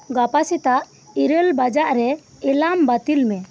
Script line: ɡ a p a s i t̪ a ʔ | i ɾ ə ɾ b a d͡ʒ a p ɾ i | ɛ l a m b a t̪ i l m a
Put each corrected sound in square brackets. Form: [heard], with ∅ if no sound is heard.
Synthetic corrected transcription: ɡ a p a s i t̪ a ʔ | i ɾ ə [l] b a d͡ʒ a [ʔ] ɾ [ɛ] | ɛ l a m b a t̪ i l m [ɛ]